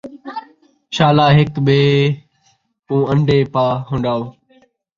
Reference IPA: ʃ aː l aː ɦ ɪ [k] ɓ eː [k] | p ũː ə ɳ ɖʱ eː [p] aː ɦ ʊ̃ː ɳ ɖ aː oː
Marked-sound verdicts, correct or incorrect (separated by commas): correct, incorrect, correct